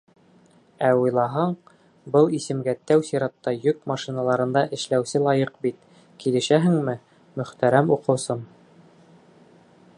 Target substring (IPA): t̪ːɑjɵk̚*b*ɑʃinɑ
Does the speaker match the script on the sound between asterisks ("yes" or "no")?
no